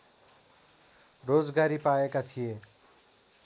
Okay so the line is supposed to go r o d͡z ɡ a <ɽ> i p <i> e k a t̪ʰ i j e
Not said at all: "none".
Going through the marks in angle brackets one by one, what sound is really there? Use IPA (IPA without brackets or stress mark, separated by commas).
ɾ, a